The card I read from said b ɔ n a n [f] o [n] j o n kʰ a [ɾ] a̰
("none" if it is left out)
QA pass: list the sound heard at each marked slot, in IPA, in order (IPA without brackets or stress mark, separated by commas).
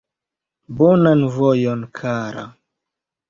v, none, ɾ